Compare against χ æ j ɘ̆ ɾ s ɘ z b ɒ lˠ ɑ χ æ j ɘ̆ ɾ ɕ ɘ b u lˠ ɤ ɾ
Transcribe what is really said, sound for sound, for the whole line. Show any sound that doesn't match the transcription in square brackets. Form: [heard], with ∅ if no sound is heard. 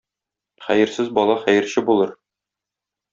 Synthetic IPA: χ æ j ɘ̆ ɾ s ɘ z b ɒ lˠ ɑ χ æ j ɘ̆ ɾ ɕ ɘ b u lˠ ɤ ɾ